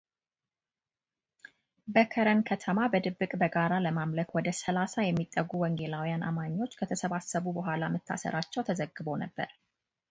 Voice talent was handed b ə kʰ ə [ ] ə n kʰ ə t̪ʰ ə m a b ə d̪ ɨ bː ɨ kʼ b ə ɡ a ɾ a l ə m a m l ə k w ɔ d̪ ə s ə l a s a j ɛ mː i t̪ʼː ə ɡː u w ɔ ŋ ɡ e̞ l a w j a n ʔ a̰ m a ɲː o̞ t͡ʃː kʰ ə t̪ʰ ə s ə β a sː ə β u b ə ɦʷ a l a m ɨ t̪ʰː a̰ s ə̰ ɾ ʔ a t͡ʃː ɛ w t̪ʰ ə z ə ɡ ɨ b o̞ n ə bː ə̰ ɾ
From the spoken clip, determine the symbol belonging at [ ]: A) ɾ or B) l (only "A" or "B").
A